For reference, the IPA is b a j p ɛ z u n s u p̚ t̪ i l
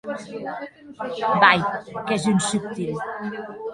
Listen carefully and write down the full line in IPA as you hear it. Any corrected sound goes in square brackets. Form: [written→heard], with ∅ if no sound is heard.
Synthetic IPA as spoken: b a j [p→k] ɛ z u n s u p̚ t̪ i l